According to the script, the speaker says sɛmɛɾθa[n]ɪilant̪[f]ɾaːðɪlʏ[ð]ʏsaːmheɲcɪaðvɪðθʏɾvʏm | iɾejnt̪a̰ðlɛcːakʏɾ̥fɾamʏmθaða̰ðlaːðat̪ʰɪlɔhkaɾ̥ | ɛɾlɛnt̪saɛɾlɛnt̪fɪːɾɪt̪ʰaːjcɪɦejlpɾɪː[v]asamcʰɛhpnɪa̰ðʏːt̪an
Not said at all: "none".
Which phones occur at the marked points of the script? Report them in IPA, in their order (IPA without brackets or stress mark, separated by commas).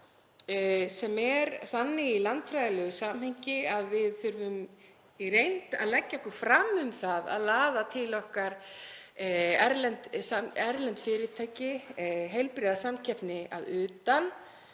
nː, f, ɣ, ð